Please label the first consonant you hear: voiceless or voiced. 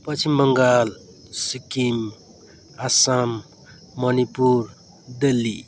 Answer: voiceless